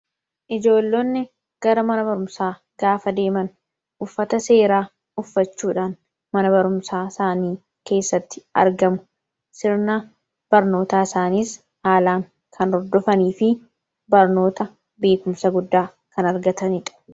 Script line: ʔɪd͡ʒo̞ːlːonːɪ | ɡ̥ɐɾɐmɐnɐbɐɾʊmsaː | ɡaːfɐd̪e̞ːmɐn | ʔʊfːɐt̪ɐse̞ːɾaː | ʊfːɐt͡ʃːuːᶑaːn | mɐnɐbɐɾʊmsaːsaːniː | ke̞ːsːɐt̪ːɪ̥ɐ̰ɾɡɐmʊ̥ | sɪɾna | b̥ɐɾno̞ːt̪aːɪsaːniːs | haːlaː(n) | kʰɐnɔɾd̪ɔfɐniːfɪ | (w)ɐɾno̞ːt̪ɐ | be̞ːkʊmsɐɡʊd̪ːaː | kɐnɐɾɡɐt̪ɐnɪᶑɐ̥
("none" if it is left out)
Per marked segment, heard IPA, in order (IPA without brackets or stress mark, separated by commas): ŋ, b